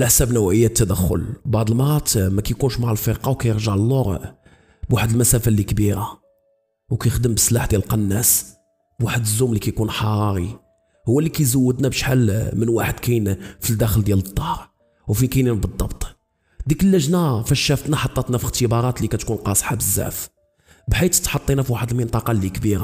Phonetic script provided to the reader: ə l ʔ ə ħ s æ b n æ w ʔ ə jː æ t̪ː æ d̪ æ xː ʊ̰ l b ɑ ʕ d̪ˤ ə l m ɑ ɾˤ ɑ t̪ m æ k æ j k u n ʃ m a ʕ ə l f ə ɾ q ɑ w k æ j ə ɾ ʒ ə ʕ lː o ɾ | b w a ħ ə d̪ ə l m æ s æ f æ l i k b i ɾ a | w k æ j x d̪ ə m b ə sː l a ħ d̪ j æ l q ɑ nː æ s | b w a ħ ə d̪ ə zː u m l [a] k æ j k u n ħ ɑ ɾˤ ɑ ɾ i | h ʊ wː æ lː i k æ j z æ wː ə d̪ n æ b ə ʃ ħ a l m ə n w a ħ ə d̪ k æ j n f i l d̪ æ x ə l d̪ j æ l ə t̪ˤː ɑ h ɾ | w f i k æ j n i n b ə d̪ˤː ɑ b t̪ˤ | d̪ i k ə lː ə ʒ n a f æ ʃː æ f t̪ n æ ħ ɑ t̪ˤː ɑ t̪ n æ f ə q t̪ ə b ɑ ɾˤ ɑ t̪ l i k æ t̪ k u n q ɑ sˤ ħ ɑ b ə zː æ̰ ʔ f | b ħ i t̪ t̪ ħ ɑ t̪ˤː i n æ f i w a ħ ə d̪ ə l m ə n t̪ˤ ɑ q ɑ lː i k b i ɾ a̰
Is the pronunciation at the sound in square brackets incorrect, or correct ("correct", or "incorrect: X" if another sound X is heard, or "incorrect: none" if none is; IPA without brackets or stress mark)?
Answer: incorrect: i